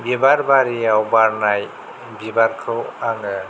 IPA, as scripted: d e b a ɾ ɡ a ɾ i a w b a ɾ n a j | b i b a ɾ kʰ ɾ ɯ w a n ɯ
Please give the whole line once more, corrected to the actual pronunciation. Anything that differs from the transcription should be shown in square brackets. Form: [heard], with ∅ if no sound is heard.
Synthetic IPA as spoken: [b] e b a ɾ [b] a ɾ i a w b a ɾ n a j | b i b a ɾ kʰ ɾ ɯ w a [ŋ] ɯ